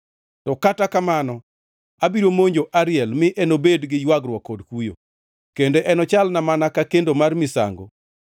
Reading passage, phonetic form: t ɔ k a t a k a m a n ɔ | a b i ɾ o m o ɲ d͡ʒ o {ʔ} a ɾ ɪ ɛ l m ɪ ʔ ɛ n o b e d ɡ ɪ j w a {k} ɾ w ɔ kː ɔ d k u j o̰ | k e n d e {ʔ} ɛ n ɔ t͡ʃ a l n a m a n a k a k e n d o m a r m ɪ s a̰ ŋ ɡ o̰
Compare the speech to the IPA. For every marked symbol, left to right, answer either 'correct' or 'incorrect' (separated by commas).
correct, incorrect, correct